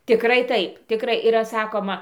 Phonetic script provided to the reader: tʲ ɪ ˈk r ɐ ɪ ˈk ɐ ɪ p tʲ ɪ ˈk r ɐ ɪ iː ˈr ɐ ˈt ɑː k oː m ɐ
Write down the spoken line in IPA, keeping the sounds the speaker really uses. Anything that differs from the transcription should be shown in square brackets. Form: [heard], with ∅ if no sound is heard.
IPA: tʲ ɪ ˈk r ɐ ɪ [ˈt] ɐ ɪ p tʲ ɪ ˈk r ɐ ɪ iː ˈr ɐ [ˈs] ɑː k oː m ɐ